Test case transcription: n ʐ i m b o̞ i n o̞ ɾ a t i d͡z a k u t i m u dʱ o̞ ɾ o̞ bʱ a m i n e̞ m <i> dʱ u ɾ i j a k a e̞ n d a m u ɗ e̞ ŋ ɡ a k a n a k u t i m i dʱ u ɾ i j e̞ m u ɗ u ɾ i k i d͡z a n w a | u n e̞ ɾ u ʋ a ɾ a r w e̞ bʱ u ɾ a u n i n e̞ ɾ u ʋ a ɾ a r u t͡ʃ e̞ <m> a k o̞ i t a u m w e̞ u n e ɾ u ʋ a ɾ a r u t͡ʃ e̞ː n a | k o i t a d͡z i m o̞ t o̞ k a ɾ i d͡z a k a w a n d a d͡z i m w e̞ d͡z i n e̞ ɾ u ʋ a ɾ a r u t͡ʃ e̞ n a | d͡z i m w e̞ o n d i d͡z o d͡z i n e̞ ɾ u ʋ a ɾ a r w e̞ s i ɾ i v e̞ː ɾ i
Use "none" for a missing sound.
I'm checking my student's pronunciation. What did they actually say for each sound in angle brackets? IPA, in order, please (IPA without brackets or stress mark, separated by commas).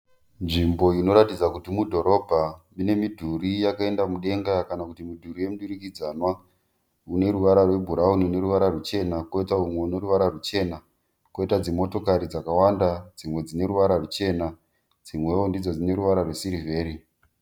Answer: i, n